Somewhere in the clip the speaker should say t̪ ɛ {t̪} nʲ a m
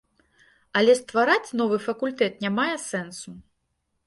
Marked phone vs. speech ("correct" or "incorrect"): correct